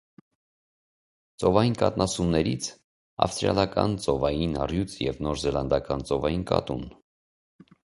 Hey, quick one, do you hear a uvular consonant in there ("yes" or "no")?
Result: no